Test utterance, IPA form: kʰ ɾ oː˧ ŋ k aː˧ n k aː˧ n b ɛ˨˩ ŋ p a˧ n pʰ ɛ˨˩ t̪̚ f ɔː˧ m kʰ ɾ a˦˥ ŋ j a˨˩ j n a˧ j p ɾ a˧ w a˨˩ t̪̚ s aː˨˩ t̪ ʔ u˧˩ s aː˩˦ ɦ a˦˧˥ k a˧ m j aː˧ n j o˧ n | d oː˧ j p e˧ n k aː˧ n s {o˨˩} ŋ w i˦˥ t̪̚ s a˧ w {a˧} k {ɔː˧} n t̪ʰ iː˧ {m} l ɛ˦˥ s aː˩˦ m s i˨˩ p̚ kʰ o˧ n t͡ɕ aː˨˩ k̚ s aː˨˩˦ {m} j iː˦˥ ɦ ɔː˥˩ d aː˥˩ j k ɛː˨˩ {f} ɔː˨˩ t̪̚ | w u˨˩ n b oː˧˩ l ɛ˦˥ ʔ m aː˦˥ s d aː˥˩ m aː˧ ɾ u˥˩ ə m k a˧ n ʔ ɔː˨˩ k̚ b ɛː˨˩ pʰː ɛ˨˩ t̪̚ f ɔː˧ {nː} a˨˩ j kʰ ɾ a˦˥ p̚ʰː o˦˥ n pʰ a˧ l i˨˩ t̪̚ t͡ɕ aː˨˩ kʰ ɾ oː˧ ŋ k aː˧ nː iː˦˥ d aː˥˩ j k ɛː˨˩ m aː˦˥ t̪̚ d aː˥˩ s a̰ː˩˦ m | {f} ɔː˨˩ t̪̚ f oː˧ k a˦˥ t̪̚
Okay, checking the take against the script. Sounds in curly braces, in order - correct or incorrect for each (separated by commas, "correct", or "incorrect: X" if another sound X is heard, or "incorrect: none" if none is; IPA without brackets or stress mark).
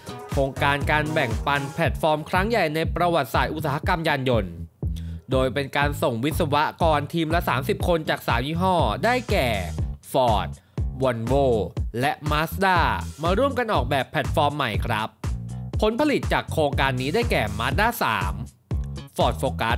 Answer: correct, incorrect: a˦˥, correct, correct, correct, correct, incorrect: mː, correct